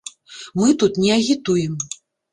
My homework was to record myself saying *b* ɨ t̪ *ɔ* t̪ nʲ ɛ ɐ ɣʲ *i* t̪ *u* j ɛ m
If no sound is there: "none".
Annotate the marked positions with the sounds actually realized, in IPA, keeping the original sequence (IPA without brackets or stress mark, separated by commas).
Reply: m, u, i, u